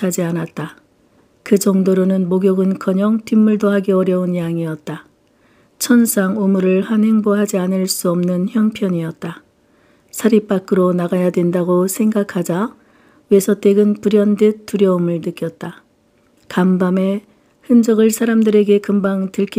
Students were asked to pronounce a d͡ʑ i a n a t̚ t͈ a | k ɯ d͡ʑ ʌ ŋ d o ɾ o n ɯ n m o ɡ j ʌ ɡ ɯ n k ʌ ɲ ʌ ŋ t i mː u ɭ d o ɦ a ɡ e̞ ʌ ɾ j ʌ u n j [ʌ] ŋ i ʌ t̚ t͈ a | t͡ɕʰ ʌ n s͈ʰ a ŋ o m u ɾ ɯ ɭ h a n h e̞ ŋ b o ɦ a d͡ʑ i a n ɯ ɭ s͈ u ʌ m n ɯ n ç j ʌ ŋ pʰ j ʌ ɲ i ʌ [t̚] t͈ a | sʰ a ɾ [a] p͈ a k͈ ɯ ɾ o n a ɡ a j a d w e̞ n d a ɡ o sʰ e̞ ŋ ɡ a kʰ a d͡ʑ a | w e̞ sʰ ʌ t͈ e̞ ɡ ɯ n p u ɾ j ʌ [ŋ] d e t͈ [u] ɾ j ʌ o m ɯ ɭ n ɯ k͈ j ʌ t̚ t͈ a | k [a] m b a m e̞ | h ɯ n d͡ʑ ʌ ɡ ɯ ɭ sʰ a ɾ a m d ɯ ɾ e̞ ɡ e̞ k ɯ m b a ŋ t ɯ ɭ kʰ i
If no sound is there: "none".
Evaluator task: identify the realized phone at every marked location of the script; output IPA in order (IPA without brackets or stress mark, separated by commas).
a, t̚, i, n, u, a